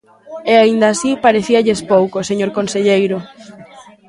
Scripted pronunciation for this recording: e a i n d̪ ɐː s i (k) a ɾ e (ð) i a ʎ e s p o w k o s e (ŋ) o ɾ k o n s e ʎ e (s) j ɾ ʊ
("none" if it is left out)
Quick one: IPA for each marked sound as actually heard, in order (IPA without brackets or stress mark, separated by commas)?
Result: p, θ, ɲ, none